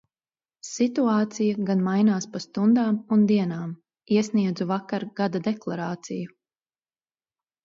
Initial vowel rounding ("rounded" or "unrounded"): unrounded